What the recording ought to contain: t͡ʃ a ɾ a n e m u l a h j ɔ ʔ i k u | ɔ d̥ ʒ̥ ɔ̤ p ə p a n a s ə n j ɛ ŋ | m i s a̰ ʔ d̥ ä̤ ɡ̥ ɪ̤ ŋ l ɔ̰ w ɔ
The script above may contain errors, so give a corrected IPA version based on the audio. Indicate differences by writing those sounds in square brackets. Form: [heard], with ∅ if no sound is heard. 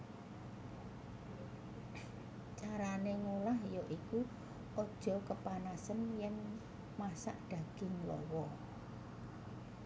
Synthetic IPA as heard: t͡ʃ a ɾ a n e [ŋ] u l a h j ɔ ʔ i k u | ɔ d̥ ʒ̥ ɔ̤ [k] ə p a n a s ə n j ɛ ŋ | m [a] s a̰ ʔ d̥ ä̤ ɡ̥ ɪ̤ ŋ l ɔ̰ w ɔ